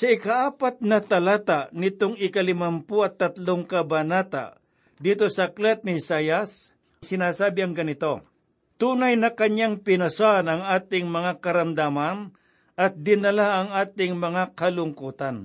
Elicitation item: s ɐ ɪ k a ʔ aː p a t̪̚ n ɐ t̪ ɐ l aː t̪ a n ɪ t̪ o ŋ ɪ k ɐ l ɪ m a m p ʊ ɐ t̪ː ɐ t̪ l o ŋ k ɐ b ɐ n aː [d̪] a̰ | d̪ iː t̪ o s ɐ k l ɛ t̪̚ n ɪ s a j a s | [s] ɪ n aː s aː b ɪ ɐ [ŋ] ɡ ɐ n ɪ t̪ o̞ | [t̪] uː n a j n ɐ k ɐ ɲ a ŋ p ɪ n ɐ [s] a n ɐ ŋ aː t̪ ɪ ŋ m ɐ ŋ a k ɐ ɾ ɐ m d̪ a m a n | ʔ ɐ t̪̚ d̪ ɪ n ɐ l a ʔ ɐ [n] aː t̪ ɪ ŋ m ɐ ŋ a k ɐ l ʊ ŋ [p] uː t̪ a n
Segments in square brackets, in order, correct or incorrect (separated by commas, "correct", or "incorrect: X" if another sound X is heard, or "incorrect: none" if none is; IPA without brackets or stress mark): incorrect: t̪, correct, correct, correct, correct, incorrect: ŋ, incorrect: k